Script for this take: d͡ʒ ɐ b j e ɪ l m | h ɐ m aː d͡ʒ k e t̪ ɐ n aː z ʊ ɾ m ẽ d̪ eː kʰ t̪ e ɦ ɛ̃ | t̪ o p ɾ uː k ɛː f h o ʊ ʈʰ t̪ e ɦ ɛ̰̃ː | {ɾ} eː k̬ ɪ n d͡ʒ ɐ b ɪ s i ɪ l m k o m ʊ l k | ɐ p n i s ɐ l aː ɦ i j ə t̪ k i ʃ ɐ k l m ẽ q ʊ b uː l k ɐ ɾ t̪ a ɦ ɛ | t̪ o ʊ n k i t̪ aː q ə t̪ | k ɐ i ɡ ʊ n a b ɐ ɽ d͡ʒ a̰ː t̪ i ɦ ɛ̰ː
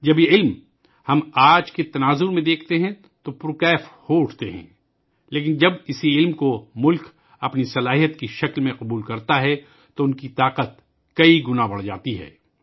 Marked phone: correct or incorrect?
incorrect